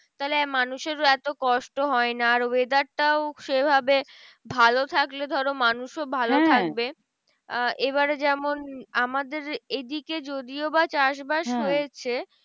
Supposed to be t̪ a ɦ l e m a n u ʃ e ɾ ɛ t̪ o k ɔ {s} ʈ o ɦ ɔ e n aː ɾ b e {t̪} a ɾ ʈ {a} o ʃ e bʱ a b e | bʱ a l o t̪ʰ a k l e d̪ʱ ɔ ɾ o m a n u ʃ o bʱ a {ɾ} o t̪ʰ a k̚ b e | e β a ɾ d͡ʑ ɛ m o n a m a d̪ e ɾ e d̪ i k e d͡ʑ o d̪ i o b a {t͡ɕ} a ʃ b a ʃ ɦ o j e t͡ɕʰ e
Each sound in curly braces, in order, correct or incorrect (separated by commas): incorrect, incorrect, correct, incorrect, correct